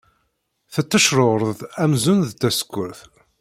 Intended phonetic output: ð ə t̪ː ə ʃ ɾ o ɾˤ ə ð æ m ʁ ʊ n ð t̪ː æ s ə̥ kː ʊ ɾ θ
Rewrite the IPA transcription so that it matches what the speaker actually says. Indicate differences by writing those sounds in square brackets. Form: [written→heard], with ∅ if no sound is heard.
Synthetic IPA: [ð→θ] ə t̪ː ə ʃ ɾ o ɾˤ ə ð æ m [ʁ→z] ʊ n ð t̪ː æ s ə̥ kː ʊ ɾ θ